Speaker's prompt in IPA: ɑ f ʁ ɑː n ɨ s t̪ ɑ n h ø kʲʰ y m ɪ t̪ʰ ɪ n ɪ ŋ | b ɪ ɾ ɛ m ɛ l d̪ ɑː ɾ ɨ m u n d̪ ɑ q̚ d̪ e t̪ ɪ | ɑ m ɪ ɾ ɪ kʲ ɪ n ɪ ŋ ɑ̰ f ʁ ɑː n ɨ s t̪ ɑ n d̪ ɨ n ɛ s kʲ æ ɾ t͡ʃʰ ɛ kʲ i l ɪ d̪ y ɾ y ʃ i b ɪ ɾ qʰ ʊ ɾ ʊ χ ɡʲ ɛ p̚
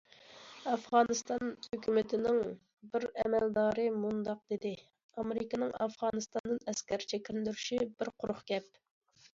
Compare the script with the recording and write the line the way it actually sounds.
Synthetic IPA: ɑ f ʁ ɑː n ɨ s t̪ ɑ n h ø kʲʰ y m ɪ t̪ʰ ɪ n ɪ ŋ | b ɪ ɾ ɛ m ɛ l d̪ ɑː ɾ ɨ m u n d̪ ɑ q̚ d̪ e d̪ ɪ | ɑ m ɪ ɾ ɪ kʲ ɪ n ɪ ŋ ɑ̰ f ʁ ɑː n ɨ s t̪ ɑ n d̪ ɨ n ɛ s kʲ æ ɾ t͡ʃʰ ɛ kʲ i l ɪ d̪ y ɾ y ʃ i b ɪ ɾ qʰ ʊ ɾ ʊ χ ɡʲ ɛ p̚